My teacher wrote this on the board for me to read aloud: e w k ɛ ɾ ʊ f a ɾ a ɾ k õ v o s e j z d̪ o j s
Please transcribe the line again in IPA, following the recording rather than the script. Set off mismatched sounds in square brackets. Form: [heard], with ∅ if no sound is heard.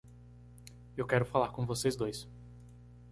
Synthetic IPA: e w k ɛ ɾ ʊ f a [l] a ɾ k õ v o s e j z d̪ o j s

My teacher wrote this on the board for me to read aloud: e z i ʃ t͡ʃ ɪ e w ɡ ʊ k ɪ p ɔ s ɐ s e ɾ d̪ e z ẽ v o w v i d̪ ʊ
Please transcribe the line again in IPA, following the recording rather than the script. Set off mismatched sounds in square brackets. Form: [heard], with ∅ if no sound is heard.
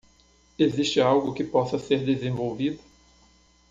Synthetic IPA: e z i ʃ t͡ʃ ɪ [a] w ɡ ʊ k ɪ p ɔ s ɐ s e ɾ d̪ e z ẽ v o w v i d̪ ʊ

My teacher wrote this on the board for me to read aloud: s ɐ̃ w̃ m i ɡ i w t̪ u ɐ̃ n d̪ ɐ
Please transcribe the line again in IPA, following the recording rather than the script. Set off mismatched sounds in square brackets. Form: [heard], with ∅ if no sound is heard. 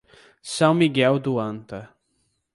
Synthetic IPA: s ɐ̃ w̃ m i ɡ [ɛ] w [d̪] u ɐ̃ n [t̪] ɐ

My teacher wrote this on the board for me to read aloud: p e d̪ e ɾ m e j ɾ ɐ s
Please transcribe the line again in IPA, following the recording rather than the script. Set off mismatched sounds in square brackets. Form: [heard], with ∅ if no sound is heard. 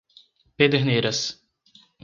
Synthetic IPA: p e d̪ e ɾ [n] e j ɾ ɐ s

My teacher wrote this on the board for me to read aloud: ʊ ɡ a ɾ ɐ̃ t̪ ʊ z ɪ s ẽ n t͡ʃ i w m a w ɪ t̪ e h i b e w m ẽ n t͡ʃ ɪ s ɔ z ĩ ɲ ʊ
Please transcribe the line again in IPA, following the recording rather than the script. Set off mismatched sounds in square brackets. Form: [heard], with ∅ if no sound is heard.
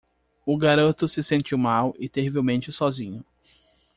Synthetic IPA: ʊ ɡ a ɾ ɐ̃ t̪ ʊ [s] ɪ s ẽ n t͡ʃ i w m a w ɪ t̪ e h i [v] e w m ẽ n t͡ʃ ɪ s ɔ z ĩ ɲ ʊ

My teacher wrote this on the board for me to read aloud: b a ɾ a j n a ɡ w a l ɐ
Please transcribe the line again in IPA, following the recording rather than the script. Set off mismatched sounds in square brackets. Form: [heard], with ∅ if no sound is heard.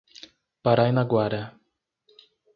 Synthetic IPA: [p] a ɾ a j n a ɡ w a [ɾ] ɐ

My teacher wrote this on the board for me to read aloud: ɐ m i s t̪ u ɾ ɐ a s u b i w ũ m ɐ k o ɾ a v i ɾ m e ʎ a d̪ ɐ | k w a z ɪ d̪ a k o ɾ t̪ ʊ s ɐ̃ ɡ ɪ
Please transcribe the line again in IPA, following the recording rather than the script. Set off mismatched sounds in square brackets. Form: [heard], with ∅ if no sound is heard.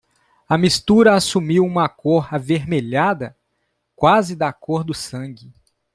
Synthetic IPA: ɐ m i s t̪ u ɾ ɐ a s u [m] i w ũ m ɐ k o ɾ a v [e] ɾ m e ʎ a d̪ ɐ | k w a z ɪ d̪ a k o ɾ [d̪] ʊ s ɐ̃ ɡ ɪ

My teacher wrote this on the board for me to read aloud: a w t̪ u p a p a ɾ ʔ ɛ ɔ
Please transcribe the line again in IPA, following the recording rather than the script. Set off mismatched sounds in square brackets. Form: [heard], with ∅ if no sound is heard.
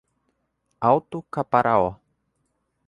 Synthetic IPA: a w t̪ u [k] a p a ɾ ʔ [a] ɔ

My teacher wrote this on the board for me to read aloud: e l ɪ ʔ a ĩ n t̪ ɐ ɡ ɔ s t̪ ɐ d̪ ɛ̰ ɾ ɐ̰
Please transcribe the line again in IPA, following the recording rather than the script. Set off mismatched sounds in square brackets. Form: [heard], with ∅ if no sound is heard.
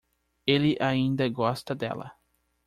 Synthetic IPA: e l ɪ ʔ a ĩ n [d̪] ɐ ɡ ɔ s t̪ ɐ d̪ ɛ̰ [l] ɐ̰

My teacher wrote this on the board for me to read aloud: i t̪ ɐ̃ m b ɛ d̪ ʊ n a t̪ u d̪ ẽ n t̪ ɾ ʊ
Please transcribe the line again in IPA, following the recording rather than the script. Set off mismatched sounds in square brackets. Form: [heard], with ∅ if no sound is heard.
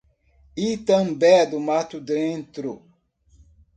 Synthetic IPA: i t̪ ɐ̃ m b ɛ d̪ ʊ [m] a t̪ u d̪ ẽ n t̪ ɾ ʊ

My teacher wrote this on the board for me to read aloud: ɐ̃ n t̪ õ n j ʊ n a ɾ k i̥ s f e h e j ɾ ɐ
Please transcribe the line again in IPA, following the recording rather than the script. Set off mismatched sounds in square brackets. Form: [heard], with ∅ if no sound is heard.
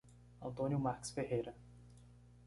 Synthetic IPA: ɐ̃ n t̪ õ n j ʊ [m] a ɾ k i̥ s f e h e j ɾ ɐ

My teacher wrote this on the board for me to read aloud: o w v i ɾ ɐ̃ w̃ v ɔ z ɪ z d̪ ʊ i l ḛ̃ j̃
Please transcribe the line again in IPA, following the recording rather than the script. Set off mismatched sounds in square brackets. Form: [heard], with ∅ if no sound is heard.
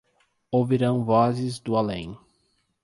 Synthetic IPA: o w v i ɾ ɐ̃ w̃ v ɔ z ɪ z d̪ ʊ [a] l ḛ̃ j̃

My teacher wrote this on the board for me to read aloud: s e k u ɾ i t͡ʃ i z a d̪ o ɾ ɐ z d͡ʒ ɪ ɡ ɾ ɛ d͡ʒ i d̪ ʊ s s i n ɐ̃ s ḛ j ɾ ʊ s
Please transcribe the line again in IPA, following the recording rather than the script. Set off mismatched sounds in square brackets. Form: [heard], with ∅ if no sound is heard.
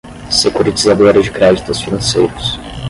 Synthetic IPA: s e k u ɾ i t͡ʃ i z a d̪ o ɾ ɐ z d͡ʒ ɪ [k] ɾ ɛ d͡ʒ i [t̪] ʊ s [f] i n ɐ̃ s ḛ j ɾ ʊ s

